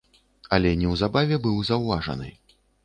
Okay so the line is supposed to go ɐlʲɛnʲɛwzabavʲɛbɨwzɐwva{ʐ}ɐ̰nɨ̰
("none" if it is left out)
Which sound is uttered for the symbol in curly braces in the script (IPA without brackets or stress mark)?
ʐ